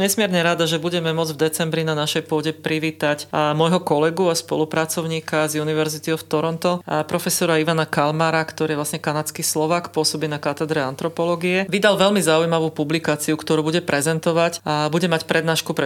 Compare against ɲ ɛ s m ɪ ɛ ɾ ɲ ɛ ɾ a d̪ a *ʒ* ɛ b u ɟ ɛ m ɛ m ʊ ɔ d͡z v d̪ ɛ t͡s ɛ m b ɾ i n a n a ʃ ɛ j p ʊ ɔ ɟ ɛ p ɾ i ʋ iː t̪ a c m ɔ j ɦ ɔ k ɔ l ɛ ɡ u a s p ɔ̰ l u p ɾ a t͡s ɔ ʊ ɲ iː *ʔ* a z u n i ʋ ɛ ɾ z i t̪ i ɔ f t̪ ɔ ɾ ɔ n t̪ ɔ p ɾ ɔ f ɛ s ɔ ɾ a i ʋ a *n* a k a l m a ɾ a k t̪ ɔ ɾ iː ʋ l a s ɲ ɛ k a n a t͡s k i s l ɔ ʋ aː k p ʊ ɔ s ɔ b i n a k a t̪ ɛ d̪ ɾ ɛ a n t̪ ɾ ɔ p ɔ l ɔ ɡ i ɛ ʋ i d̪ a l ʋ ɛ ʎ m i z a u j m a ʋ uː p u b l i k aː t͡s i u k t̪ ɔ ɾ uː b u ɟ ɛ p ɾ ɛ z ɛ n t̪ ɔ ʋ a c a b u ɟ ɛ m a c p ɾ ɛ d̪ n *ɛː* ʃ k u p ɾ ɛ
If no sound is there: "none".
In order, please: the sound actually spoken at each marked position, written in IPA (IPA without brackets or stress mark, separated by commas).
ʒ, k, n, aː